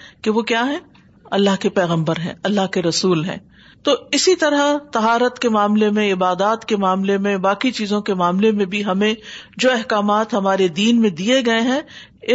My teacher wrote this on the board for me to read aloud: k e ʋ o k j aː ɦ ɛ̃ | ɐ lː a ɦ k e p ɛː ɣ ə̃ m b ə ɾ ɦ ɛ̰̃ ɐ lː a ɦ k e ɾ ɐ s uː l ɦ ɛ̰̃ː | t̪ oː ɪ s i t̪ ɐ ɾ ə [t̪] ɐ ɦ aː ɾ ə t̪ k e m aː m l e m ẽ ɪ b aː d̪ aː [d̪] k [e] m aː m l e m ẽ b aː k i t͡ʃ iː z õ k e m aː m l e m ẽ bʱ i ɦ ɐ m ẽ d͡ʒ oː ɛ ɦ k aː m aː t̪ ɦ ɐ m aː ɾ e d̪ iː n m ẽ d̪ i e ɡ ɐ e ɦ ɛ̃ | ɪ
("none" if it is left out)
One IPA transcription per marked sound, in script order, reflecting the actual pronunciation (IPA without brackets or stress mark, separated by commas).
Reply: t̪, t̪, e